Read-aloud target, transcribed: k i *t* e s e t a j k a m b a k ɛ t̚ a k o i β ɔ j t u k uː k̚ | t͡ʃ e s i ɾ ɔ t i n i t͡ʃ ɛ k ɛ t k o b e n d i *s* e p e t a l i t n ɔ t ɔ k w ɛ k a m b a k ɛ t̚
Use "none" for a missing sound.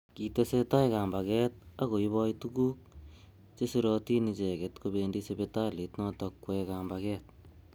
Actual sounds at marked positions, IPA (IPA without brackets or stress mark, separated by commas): t, s